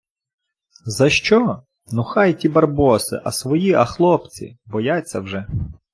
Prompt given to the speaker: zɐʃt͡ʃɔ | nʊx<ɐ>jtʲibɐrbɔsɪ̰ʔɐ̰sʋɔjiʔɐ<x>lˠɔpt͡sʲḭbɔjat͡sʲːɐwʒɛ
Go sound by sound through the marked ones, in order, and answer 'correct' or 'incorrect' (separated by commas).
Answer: incorrect, correct